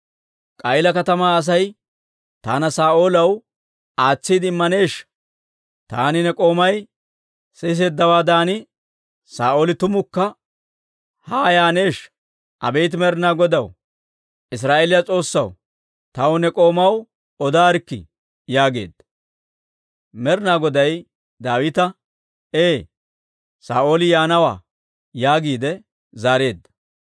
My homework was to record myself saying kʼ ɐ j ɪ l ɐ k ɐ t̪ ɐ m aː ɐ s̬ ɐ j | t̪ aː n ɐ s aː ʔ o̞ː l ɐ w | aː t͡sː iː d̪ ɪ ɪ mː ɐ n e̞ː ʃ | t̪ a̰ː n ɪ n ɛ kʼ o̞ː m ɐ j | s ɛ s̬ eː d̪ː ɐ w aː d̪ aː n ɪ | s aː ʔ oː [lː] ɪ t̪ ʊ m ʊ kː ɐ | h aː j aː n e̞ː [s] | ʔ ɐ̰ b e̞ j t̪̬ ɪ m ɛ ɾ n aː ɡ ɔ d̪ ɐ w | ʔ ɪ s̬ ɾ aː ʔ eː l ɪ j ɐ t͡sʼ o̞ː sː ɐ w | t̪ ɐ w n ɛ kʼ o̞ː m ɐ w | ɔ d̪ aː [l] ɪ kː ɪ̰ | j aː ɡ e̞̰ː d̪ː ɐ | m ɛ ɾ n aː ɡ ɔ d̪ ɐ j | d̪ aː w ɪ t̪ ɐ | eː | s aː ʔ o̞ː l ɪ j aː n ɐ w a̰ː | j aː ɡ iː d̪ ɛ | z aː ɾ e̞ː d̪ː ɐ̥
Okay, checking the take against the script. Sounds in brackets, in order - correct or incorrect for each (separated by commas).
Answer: incorrect, incorrect, incorrect